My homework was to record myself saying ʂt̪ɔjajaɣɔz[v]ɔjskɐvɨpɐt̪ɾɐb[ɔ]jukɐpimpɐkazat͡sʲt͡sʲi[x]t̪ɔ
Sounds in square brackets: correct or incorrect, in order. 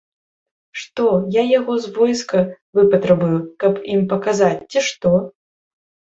correct, incorrect, incorrect

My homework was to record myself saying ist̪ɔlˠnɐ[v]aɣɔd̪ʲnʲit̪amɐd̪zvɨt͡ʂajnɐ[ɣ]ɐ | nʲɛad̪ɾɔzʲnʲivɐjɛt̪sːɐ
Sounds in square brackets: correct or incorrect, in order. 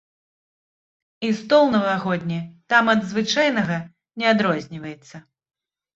correct, correct

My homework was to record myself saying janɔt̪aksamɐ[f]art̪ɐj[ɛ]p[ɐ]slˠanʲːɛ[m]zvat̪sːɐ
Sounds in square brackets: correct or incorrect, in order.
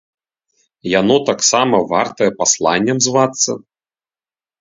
incorrect, correct, incorrect, correct

